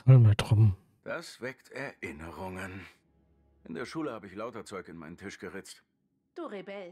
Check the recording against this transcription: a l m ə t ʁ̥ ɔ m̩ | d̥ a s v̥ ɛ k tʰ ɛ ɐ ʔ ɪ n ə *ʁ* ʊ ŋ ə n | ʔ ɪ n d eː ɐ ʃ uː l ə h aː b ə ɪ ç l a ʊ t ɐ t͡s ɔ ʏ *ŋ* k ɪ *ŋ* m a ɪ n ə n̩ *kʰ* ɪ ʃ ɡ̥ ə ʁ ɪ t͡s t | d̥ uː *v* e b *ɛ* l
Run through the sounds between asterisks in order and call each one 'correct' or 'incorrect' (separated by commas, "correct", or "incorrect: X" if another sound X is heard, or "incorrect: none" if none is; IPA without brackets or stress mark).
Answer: correct, incorrect: none, incorrect: n, incorrect: tʰ, incorrect: ʁ, correct